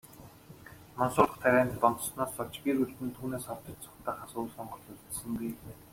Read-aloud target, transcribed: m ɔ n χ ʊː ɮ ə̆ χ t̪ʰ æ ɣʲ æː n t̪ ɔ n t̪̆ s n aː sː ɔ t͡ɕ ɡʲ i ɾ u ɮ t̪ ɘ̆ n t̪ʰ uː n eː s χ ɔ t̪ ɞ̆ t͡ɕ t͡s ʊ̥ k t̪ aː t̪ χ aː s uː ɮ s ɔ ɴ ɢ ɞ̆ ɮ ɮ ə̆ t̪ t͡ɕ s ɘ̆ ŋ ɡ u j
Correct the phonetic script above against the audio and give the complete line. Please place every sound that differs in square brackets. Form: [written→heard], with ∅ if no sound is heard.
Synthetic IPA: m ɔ n [χ→s] ʊː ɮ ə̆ χ t̪ʰ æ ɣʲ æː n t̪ ɔ n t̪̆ s n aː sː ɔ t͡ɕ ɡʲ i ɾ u ɮ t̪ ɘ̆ n t̪ʰ uː n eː s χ ɔ t̪ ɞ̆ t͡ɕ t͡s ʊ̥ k t̪ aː [t̪→∅] χ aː s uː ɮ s ɔ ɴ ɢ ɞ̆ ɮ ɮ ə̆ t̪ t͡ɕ s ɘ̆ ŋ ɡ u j